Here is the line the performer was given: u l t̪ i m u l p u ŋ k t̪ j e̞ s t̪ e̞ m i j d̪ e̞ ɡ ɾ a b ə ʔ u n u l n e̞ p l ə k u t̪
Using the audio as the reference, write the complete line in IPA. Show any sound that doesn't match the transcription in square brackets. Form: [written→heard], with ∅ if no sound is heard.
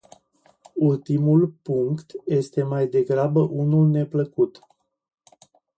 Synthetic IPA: u l t̪ i m u l p u ŋ k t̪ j e̞ s t̪ e̞ m [i→a] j d̪ e̞ ɡ ɾ a b ə ʔ u n u l n e̞ p l ə k u t̪